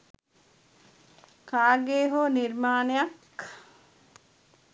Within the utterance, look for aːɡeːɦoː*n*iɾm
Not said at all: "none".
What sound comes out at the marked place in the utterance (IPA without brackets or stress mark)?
n